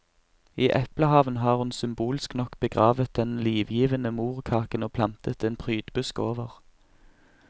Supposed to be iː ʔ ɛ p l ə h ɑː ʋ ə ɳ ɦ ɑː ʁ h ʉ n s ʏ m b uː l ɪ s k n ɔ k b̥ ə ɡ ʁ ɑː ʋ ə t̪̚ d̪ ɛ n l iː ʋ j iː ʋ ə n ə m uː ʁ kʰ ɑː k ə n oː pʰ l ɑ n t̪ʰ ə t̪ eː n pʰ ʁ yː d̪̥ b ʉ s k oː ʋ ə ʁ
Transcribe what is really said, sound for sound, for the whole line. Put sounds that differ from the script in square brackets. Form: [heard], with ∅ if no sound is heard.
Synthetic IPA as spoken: iː ʔ ɛ p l ə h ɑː ʋ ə [n] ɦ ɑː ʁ h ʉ n s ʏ m b uː l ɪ s k n ɔ k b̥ ə ɡ ʁ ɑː ʋ ə t̪̚ d̪ ɛ n l iː ʋ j iː ʋ ə n ə m uː ʁ kʰ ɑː k ə n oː pʰ l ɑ n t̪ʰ ə t̪ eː n pʰ ʁ yː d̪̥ b ʉ s k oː ʋ ə ʁ